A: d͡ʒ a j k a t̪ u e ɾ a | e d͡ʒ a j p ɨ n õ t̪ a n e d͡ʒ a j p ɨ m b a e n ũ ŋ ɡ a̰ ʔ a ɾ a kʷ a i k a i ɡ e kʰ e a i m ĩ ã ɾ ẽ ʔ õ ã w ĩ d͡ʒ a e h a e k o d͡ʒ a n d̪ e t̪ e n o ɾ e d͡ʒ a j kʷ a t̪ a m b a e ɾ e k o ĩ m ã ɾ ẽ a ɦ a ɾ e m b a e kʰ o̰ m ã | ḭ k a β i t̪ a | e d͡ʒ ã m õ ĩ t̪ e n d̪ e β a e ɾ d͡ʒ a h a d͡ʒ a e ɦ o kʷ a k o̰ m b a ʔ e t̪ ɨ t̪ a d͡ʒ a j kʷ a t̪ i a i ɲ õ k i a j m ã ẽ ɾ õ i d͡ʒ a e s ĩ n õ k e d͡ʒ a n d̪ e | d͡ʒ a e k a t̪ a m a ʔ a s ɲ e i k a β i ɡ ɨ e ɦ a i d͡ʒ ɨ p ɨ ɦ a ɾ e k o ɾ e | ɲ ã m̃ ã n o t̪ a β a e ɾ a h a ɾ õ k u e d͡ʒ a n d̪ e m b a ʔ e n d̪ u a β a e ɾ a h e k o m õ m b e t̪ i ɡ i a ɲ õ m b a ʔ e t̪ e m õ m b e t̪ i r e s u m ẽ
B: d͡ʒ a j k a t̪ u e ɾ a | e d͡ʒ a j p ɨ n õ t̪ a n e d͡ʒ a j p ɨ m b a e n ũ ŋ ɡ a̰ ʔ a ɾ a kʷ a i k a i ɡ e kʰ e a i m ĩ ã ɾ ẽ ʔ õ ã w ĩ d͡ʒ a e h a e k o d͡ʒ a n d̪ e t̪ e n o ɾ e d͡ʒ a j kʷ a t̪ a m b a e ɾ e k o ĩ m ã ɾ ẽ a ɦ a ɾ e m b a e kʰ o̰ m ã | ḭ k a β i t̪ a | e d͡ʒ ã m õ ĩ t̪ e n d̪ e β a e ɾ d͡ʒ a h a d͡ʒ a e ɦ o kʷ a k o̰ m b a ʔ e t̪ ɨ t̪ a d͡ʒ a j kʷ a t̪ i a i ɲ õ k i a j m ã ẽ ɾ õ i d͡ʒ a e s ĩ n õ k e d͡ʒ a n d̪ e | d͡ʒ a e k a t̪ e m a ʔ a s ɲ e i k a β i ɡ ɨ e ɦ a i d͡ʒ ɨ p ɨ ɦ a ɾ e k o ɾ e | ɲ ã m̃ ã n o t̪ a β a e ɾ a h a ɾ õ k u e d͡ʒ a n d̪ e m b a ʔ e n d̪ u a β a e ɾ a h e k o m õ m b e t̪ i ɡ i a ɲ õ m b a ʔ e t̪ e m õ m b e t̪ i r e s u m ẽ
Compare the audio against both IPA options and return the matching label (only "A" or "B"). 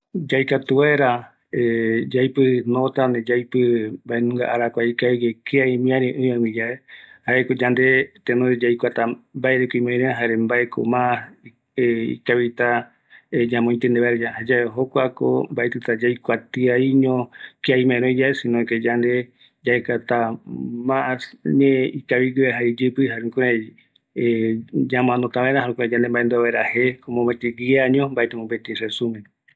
A